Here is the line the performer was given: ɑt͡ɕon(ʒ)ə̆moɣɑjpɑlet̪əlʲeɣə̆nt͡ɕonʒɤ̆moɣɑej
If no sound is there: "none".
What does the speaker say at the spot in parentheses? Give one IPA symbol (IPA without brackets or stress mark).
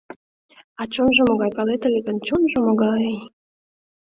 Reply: ʒ